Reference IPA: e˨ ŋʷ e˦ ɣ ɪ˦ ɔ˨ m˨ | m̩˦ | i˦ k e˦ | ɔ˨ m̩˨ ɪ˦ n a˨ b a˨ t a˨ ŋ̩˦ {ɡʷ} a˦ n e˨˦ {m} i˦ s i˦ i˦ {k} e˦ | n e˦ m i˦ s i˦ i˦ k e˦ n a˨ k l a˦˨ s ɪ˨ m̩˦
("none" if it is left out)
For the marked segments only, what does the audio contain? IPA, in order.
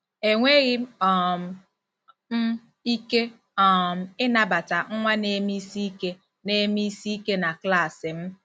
ŋʷ, m, k

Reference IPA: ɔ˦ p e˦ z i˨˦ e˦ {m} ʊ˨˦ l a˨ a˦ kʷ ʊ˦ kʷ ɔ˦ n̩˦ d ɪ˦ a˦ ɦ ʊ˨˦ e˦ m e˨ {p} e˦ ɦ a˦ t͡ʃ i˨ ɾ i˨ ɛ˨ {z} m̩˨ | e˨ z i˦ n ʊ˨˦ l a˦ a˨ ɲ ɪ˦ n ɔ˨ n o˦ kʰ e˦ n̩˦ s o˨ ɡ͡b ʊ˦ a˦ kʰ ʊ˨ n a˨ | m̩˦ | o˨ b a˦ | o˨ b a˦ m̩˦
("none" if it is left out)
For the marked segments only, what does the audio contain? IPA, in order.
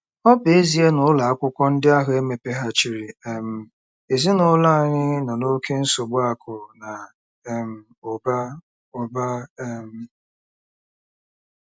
n, p, none

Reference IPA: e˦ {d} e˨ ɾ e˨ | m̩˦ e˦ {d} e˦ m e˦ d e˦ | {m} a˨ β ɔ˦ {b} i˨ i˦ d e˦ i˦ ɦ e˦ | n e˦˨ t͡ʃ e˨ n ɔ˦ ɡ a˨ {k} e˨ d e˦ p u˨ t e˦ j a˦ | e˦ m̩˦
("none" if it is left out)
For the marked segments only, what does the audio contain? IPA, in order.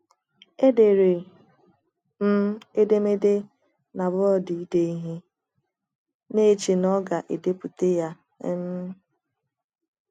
d, d, n, d, ʔ

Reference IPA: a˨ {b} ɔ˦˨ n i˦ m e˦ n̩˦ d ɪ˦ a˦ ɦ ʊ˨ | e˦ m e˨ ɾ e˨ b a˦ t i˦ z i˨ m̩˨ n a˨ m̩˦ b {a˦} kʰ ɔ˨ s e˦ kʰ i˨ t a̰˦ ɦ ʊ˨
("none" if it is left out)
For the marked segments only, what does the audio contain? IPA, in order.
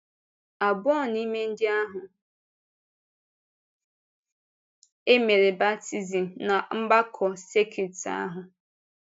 b, a˦

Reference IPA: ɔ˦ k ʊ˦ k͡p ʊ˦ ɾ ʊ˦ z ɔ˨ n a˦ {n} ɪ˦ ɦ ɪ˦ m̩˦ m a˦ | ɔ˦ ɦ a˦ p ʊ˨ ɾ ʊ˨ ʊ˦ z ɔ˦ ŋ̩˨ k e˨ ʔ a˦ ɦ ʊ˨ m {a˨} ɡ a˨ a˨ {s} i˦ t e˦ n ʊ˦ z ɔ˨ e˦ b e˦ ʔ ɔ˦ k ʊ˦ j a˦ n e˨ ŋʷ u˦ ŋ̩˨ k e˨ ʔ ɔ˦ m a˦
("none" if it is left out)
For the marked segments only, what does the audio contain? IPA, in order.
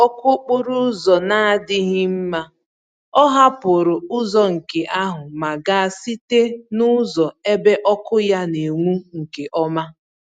d, a˨, s

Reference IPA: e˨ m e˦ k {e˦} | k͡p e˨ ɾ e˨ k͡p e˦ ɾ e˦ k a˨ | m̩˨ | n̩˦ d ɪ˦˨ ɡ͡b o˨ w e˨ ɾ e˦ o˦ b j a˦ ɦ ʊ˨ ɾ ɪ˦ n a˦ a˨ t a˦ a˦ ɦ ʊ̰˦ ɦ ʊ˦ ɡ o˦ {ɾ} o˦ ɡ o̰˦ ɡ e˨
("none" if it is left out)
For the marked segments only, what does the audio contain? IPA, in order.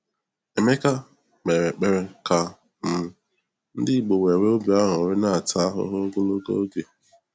a˦, l

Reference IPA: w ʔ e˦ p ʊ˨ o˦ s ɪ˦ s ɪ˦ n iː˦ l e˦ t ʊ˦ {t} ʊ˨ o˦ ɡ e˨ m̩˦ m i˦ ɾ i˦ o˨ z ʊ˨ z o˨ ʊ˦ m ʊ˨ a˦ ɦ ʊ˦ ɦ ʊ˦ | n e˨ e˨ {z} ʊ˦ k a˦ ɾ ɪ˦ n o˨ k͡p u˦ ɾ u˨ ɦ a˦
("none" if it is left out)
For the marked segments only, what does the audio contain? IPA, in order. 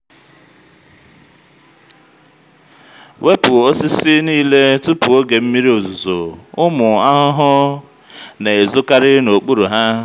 p, z

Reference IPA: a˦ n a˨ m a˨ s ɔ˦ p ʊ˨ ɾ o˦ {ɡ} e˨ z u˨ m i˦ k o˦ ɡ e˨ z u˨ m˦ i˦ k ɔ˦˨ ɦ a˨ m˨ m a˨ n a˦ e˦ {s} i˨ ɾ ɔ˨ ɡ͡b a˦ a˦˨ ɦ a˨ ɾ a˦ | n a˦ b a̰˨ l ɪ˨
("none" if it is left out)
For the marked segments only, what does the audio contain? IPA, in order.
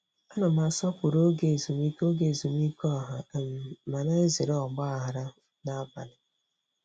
ɡ, z

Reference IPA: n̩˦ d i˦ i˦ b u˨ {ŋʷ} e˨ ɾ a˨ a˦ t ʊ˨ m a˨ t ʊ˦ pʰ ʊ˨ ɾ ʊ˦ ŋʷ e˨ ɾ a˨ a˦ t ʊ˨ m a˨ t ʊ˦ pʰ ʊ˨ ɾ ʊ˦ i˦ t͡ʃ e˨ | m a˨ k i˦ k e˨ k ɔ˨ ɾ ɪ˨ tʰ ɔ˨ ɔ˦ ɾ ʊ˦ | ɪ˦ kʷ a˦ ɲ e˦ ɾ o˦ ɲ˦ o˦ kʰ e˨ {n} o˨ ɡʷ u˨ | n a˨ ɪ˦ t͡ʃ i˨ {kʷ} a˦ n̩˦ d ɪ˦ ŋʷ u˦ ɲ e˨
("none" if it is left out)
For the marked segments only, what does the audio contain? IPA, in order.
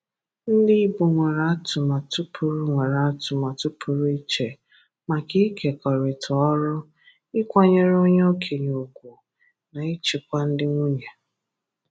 ŋʷ, ɲ, kʷ

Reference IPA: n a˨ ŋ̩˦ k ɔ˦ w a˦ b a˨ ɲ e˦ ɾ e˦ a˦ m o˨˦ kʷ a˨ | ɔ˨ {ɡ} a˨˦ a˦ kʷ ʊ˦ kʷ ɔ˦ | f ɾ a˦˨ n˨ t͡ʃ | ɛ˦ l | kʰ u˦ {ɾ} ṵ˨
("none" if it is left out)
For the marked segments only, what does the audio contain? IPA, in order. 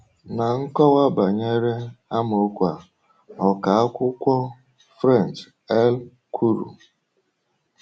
k, ɾ

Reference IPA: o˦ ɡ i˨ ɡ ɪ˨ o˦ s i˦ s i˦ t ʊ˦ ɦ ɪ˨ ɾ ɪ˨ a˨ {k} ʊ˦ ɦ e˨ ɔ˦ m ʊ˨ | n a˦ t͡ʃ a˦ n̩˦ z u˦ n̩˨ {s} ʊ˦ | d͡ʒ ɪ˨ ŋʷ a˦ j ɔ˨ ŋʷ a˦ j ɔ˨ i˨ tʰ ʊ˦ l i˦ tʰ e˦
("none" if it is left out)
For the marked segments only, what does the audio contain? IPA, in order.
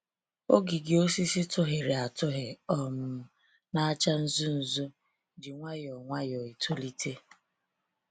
t, z

